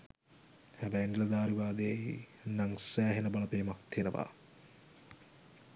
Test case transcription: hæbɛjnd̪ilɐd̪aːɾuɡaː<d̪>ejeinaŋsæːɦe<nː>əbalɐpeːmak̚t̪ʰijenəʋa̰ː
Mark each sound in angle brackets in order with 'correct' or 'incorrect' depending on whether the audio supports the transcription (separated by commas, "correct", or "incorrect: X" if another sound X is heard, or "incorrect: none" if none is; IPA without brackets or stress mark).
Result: correct, incorrect: n